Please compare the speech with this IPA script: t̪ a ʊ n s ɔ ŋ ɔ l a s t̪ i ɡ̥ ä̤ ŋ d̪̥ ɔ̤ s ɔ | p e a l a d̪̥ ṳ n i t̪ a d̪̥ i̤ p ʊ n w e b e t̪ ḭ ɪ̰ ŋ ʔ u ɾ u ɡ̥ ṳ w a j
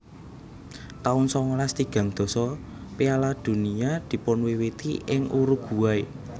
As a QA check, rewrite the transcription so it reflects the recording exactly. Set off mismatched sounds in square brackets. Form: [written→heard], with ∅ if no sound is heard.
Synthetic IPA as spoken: t̪ a ʊ n s ɔ ŋ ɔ l a s t̪ i ɡ̥ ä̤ ŋ d̪̥ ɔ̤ s ɔ | p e a l a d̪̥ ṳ n i [t̪→∅] a d̪̥ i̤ p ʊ n w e [b→w] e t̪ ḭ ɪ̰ ŋ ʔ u ɾ u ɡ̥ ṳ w a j